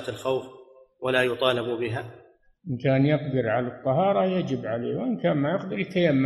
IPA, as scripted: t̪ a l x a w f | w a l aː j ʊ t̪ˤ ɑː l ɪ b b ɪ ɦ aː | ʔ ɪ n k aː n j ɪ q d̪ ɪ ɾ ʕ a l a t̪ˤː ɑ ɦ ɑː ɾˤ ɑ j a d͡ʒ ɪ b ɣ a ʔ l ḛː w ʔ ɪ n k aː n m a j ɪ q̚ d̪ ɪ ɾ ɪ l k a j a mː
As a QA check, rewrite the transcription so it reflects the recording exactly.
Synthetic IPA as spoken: t̪ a l x a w f | w a l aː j ʊ t̪ˤ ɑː l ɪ b b ɪ ɦ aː | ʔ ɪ n k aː n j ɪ q d̪ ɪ ɾ ʕ a l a t̪ˤː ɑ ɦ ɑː ɾˤ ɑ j a d͡ʒ ɪ b ʕ a l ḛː w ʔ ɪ n k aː n m a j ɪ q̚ d̪ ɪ ɾ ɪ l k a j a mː